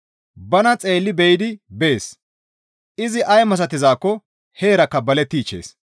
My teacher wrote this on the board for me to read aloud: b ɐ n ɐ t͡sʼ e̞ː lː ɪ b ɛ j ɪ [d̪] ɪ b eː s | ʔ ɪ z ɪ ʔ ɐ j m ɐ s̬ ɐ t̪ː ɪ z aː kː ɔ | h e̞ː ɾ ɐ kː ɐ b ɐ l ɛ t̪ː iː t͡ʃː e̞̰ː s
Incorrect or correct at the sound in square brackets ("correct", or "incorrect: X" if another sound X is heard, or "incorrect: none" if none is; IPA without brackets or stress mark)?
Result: correct